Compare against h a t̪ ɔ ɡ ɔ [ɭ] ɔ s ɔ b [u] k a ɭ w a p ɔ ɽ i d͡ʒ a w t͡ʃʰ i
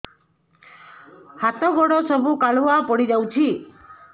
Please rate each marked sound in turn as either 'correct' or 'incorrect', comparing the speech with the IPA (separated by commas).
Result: incorrect, correct